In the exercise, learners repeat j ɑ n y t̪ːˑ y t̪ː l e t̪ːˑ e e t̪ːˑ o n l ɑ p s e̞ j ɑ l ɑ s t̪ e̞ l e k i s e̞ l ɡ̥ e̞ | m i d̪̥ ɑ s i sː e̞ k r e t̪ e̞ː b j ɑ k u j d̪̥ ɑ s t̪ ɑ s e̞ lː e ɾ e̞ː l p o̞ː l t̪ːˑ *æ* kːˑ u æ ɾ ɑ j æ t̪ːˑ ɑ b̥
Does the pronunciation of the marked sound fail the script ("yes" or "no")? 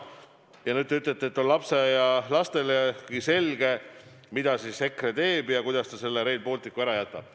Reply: yes